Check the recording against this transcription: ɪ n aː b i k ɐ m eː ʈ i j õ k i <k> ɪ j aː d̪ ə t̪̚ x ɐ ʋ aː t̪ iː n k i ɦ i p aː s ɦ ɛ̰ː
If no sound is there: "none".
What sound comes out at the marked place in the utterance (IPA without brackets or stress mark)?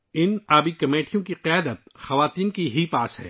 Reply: q